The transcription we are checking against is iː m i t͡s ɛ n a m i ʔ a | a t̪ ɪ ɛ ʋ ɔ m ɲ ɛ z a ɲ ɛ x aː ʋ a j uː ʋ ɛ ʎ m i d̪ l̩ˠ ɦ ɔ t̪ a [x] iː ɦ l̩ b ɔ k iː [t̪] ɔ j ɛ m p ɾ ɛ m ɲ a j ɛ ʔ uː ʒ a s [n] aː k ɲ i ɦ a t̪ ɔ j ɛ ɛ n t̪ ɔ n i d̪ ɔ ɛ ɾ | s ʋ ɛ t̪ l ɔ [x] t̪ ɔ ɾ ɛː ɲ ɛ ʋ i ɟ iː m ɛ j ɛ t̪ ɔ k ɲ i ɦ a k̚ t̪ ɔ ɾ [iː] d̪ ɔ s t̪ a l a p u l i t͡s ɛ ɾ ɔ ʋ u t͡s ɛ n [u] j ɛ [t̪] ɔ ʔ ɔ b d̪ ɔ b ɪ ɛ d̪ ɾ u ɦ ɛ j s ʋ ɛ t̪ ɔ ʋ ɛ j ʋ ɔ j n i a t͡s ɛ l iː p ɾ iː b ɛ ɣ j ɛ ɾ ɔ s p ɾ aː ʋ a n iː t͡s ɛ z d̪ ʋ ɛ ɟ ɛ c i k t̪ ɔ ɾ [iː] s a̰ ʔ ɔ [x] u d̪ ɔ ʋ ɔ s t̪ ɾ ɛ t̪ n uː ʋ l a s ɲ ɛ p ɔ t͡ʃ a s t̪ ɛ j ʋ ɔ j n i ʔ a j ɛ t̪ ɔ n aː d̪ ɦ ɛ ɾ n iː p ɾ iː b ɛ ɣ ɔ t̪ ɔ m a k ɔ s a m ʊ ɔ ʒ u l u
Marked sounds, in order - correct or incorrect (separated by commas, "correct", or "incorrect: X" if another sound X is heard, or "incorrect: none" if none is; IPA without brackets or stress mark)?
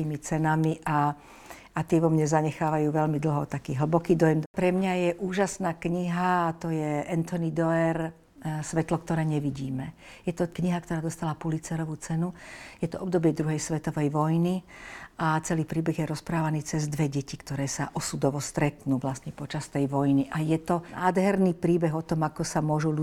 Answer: incorrect: k, incorrect: d̪, correct, incorrect: k, incorrect: aː, correct, correct, incorrect: ɛː, incorrect: s